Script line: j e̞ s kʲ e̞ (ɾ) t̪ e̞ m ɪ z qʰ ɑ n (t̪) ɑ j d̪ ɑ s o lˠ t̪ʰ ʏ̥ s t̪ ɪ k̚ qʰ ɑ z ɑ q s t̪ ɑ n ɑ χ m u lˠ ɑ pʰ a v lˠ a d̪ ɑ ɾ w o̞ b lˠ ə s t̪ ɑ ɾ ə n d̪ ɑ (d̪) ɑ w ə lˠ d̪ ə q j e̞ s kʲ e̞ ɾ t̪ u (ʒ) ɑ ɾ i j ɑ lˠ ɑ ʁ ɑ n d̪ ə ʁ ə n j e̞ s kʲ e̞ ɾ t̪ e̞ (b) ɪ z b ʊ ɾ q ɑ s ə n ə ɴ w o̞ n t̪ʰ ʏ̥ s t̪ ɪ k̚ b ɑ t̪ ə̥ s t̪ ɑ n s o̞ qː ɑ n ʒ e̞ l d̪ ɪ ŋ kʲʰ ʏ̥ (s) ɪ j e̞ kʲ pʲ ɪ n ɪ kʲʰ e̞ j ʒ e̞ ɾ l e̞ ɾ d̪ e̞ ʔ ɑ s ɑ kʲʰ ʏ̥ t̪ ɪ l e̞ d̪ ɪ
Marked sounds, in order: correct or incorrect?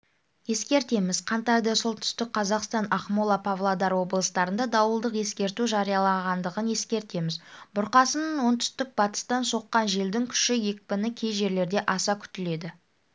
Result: correct, correct, correct, correct, incorrect, incorrect

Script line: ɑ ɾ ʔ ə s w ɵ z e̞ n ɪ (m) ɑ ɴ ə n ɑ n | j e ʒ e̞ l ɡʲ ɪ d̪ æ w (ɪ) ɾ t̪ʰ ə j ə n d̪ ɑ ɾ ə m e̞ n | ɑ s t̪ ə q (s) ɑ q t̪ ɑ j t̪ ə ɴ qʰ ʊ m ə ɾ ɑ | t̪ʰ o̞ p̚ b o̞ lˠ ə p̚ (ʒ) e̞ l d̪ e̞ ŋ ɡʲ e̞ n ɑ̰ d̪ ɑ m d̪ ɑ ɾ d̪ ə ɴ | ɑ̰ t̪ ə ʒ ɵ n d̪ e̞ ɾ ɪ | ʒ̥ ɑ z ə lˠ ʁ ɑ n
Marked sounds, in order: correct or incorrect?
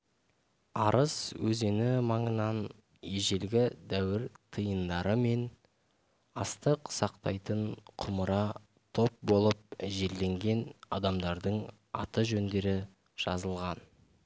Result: correct, correct, correct, correct

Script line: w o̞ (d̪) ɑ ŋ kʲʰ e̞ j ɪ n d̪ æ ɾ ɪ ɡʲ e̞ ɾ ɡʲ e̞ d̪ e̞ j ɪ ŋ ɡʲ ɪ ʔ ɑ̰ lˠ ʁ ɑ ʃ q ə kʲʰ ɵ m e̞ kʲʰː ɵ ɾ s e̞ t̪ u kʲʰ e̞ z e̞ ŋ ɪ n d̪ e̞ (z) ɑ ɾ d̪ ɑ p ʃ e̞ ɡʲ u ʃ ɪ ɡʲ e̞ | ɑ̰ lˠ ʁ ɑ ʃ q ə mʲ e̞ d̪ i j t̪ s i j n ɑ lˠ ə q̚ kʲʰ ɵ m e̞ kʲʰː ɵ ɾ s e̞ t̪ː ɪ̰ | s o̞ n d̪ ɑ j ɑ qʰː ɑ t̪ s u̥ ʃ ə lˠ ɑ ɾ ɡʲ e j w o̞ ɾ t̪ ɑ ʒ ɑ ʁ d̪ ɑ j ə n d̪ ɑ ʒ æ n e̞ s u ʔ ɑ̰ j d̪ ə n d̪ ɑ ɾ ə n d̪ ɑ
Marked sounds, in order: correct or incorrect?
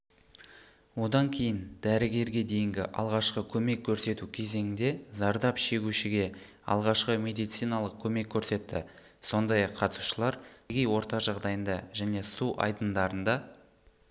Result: correct, correct

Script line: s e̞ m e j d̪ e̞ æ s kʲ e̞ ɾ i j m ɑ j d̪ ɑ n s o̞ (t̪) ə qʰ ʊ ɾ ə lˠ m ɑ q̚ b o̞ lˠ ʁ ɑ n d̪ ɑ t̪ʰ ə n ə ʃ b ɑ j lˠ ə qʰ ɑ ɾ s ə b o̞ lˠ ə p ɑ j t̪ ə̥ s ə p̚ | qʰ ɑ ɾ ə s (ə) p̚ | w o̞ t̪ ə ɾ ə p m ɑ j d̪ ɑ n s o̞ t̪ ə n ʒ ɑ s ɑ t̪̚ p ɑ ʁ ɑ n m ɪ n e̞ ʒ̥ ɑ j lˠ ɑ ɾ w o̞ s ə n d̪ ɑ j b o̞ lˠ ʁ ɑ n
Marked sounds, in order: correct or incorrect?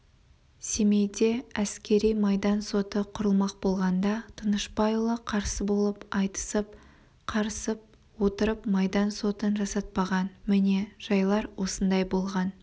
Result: correct, correct

